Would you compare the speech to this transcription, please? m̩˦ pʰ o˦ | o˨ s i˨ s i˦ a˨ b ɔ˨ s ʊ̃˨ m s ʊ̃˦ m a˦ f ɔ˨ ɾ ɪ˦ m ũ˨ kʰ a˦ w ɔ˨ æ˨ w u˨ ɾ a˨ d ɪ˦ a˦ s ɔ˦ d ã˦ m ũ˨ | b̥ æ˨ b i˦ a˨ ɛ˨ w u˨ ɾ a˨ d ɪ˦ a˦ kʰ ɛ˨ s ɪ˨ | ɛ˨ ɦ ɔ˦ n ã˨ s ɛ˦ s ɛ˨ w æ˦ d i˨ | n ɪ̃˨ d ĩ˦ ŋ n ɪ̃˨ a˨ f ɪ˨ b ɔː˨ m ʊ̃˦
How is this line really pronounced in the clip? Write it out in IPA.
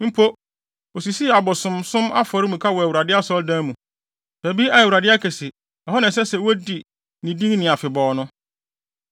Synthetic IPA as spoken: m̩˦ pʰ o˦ | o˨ s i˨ s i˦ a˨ b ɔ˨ s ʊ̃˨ m s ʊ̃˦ m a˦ f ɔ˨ ɾ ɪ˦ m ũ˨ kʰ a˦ w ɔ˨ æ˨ w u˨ ɾ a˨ d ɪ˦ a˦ s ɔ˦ d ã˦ m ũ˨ | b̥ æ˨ b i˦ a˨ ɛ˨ w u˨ ɾ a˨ d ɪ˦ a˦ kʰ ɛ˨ s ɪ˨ | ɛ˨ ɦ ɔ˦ n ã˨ s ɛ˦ s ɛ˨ w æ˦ d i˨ | n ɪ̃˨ d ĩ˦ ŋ n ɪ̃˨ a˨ f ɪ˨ b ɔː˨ n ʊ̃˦